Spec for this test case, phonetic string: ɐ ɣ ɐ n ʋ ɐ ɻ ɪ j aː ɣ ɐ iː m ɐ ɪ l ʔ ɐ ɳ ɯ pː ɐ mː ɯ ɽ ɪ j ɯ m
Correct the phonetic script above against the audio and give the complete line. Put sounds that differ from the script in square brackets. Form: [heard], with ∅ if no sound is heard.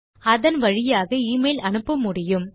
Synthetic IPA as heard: ɐ [ð] ɐ n ʋ ɐ ɻ ɪ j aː ɣ ɐ iː m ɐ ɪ l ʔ ɐ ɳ ɯ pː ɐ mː [ʊ] ɽ ɪ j ɯ m